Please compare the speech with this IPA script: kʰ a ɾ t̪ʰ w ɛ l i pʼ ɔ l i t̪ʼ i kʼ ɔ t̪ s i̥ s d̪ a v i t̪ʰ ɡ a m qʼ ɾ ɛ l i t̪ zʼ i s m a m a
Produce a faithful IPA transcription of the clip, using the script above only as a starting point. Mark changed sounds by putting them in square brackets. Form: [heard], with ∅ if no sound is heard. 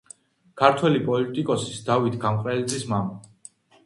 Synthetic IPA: kʰ a ɾ t̪ʰ w ɛ l i pʼ ɔ l i t̪ʼ i kʼ ɔ [∅] s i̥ s d̪ a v i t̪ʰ ɡ a m qʼ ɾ ɛ l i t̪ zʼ i s m a m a

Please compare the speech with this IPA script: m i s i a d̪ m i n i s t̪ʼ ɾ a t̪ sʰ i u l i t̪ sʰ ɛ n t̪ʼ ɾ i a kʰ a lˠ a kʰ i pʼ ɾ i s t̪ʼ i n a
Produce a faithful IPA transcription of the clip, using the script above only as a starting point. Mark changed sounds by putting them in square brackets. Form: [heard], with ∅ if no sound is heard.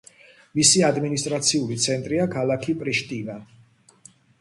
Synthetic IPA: m i s i a d̪ m i n i s t̪ʼ ɾ a t̪ sʰ i u l i t̪ sʰ ɛ n t̪ʼ ɾ i a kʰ a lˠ a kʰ i pʼ ɾ i [ʃ] t̪ʼ i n a

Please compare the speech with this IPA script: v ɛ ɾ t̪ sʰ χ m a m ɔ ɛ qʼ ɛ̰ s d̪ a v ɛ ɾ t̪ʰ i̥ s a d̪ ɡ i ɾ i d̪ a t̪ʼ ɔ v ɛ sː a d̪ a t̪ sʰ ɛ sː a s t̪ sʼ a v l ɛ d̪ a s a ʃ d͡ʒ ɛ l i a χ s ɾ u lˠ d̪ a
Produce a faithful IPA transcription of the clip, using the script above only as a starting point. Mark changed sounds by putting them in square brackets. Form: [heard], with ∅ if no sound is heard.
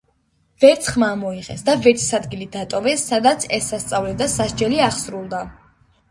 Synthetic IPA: v ɛ ɾ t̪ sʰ χ m a m ɔ [i] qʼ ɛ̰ s d̪ a v ɛ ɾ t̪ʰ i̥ s a d̪ ɡ i [l] i d̪ a t̪ʼ ɔ v ɛ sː a d̪ a t̪ sʰ ɛ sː a s t̪ sʼ a v l ɛ d̪ a s a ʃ d͡ʒ ɛ l i a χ s ɾ u lˠ d̪ a

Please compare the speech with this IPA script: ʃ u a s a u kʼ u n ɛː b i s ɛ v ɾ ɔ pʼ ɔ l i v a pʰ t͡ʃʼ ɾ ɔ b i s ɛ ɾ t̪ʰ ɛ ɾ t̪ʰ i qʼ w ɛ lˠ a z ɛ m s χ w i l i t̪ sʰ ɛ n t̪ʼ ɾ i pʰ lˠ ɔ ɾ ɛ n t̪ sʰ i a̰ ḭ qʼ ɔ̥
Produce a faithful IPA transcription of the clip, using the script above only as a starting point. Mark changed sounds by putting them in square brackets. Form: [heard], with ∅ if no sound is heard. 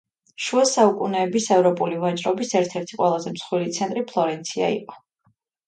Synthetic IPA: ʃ u a s a u kʼ u n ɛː b i s ɛ v ɾ ɔ pʼ [u] l i v a [∅] t͡ʃʼ ɾ ɔ b i s ɛ ɾ t̪ʰ ɛ ɾ t̪ʰ i qʼ w ɛ lˠ a z ɛ m s χ w i l i t̪ sʰ ɛ n t̪ʼ ɾ i pʰ lˠ ɔ ɾ ɛ n t̪ sʰ i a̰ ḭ qʼ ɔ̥

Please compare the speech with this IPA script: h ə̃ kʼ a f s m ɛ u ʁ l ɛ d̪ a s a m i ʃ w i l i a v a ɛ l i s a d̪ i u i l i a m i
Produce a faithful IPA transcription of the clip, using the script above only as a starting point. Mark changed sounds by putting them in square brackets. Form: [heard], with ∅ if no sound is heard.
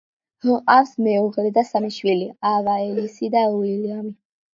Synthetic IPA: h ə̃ [qʼ] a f s m ɛ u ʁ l ɛ d̪ a s a m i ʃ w i l i a v a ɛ l i s [i] d̪ [a] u i l i a m i

